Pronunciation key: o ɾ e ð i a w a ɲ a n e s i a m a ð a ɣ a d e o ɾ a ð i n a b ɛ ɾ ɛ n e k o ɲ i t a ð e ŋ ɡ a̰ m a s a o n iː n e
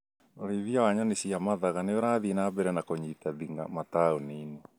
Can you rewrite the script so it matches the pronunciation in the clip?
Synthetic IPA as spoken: o ɾ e ð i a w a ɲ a n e s i a m a ð a ɣ a n e o ɾ a ð i n a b ɛ ɾ ɛ n a k o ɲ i t a ð i ŋ ɡ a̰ m a t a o n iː n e